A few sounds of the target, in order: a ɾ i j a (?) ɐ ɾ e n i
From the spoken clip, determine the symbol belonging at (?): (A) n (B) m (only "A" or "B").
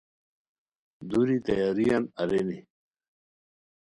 A